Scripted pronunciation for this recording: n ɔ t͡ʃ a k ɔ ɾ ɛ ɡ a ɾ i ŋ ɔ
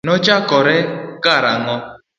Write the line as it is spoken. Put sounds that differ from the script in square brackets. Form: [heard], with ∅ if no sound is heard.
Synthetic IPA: n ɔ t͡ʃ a k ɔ ɾ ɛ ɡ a ɾ [a] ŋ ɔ